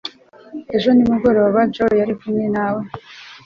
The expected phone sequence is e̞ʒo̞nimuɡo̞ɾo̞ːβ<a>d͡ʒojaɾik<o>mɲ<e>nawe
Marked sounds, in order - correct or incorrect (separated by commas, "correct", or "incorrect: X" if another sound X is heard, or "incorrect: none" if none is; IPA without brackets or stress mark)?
correct, incorrect: u, correct